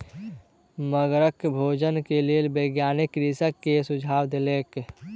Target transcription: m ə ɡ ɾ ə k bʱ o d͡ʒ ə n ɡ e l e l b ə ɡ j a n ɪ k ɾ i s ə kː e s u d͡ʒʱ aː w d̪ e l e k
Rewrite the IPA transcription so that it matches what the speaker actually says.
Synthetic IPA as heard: m ə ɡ ɾ ə k bʱ o d͡ʒ ə n k e l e l b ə ɡ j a n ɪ k ɾ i s ə kː e s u d͡ʒʱ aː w d̪ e l e k